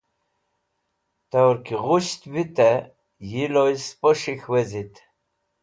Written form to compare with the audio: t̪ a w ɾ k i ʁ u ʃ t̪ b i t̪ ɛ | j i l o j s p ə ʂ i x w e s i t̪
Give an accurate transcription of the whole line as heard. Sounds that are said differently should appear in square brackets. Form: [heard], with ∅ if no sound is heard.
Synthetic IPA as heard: t̪ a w ɾ k i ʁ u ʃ t̪ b i t̪ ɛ | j i l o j s p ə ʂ i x w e [z] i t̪